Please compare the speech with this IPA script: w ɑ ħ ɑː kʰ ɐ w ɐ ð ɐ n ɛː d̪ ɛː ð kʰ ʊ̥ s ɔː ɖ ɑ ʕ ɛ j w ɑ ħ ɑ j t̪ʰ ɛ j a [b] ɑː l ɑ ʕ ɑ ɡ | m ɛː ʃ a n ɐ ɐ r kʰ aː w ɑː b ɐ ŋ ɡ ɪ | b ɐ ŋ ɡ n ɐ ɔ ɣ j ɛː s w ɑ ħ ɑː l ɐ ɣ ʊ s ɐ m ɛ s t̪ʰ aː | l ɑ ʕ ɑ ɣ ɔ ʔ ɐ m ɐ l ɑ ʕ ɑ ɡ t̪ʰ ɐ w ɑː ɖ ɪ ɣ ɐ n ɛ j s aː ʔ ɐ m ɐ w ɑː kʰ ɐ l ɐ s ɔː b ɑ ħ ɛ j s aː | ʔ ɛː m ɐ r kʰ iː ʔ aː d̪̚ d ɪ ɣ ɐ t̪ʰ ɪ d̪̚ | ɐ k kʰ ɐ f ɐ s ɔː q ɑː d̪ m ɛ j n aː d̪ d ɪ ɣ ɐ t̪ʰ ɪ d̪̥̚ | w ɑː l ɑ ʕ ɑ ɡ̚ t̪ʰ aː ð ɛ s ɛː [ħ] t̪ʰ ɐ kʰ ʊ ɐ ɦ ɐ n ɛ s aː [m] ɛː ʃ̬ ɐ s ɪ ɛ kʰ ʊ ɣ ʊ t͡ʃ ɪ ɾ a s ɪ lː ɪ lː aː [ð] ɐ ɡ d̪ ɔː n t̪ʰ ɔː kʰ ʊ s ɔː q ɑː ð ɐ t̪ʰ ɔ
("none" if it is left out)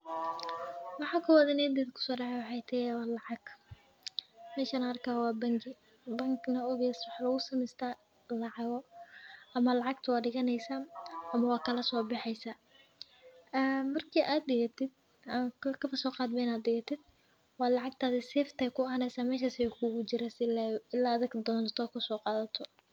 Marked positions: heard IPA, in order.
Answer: w, f, m, ð

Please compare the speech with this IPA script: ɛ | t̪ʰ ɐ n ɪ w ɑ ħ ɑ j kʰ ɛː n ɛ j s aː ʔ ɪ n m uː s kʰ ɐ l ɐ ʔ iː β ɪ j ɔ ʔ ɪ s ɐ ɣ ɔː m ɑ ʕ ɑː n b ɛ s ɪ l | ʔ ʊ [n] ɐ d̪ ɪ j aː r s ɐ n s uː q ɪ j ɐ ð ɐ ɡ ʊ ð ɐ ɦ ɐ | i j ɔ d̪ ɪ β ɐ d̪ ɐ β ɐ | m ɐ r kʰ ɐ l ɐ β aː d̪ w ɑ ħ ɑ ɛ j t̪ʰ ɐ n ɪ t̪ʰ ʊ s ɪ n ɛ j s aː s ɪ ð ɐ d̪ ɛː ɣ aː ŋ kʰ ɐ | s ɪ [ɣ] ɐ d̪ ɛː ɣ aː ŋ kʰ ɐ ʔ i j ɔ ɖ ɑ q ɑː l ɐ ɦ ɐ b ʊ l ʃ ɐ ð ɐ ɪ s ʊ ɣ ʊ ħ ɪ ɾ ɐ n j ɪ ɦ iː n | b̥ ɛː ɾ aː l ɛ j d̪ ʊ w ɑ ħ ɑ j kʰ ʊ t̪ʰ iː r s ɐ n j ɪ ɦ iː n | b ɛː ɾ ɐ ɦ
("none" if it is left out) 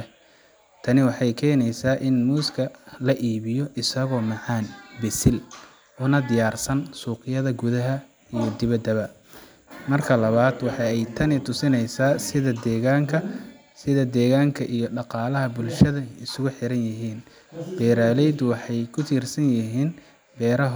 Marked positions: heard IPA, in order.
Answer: n, ð

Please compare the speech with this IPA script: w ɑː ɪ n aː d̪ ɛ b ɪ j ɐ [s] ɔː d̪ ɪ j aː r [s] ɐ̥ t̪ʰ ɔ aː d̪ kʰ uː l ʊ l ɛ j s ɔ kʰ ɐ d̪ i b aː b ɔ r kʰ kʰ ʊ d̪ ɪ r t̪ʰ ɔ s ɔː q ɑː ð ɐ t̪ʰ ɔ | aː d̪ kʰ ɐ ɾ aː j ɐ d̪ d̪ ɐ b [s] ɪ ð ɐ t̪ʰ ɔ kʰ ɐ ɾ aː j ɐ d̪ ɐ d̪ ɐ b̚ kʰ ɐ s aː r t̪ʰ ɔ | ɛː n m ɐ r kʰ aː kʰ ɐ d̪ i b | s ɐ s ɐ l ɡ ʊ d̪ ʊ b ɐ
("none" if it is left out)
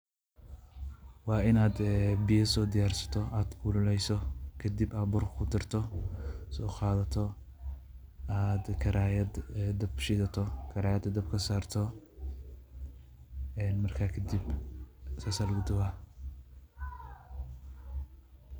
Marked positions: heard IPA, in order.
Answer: s, s, ʃ

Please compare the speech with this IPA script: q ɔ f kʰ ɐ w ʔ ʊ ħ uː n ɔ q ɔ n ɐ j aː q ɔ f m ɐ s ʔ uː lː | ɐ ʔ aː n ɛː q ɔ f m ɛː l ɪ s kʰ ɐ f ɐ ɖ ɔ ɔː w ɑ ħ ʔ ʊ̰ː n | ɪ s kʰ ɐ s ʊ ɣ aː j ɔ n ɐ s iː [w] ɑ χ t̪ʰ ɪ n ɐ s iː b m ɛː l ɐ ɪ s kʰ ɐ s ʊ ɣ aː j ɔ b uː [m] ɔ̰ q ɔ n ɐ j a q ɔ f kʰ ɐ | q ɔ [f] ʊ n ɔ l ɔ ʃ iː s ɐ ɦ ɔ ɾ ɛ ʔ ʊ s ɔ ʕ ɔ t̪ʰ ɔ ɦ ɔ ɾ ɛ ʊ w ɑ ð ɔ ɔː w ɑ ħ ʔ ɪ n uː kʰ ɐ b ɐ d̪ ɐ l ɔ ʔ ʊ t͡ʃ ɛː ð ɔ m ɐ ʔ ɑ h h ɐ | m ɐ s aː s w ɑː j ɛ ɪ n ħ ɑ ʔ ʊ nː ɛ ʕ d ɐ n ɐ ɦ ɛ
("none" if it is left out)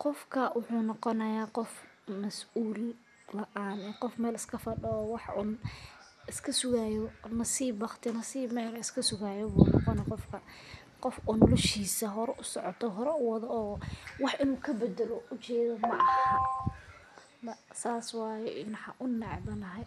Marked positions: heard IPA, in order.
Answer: b, n, f

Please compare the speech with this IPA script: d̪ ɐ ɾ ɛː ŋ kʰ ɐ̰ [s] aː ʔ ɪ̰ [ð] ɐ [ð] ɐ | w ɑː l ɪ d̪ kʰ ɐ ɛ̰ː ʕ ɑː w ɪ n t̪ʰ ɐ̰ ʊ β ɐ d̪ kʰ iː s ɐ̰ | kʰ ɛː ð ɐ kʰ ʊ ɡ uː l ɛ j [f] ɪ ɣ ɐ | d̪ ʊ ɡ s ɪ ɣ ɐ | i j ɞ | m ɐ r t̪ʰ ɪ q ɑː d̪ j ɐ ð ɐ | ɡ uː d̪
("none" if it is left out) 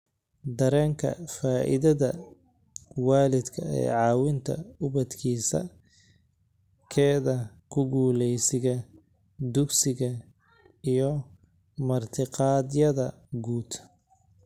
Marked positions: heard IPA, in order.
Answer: f, ð, ð, s

